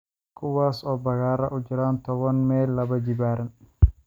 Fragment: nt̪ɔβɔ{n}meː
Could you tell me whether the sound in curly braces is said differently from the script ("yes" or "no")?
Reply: no